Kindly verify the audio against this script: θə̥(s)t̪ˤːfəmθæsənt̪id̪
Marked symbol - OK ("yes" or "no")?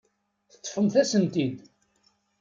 no